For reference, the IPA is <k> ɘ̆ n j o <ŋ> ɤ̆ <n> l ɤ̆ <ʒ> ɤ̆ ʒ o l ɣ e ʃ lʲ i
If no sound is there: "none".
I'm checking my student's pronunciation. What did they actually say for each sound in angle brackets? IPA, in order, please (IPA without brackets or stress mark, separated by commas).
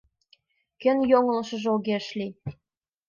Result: k, ŋ, none, ʃ